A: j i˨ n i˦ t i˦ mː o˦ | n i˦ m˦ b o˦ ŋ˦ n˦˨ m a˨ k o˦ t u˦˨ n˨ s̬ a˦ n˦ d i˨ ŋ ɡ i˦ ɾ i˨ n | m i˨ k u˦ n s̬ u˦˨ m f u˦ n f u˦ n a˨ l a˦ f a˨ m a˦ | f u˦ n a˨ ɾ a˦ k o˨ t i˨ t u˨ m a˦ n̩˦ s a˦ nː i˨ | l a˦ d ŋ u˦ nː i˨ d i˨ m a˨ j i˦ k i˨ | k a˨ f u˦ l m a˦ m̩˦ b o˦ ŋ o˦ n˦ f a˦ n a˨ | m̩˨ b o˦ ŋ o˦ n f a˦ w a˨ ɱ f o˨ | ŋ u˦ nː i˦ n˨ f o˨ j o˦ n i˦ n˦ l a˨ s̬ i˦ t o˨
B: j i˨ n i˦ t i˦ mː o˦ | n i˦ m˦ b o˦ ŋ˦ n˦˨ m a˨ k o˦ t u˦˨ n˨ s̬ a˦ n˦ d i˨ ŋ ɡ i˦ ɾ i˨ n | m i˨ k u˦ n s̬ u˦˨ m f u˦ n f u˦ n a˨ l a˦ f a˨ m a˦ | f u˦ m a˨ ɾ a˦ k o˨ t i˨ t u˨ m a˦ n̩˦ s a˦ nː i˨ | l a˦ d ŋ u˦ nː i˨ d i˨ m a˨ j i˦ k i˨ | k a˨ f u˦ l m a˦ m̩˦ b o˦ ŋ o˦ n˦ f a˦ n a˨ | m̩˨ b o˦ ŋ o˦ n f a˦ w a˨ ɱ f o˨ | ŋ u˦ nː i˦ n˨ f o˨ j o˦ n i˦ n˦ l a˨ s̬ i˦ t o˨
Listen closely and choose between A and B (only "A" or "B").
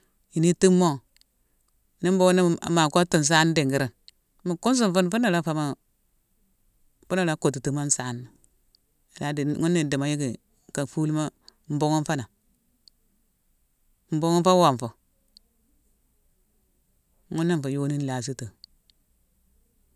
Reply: A